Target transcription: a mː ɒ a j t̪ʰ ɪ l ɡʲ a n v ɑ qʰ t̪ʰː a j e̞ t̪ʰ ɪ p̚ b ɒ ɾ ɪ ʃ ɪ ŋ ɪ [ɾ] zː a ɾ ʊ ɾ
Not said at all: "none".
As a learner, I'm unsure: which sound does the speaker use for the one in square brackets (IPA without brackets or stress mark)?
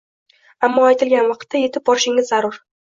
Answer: none